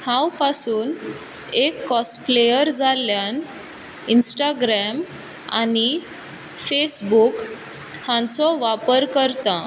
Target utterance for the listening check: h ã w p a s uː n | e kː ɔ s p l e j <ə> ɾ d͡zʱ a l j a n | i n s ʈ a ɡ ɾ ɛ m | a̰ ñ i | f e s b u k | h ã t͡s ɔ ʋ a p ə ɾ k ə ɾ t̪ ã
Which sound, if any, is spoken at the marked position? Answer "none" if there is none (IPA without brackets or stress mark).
ə